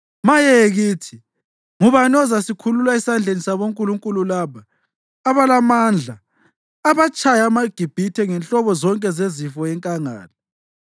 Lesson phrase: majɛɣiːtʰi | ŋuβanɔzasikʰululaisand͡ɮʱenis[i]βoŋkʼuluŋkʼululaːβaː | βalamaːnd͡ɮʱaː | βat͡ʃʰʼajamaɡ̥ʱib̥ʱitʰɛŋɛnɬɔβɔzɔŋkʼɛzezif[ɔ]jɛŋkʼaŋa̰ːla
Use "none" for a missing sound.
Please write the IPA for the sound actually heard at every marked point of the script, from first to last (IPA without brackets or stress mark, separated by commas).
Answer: a, ɔ